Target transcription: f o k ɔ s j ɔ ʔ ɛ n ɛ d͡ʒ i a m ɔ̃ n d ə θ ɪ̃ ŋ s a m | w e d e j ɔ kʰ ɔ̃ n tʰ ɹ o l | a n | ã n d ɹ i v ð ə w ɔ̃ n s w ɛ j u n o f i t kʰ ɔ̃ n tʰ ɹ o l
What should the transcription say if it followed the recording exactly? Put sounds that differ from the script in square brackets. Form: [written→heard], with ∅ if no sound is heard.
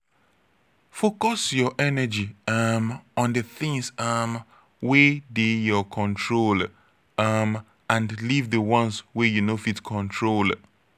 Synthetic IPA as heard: f o k ɔ s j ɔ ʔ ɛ n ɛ d͡ʒ i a m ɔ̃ n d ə θ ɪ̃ ŋ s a m | w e d e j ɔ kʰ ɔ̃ n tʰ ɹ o l | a [n→m] | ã n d [ɹ→l] i v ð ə w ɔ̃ n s w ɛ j u n o f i t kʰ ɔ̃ n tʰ ɹ o l